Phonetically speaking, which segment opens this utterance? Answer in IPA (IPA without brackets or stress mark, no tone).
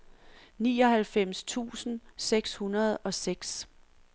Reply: n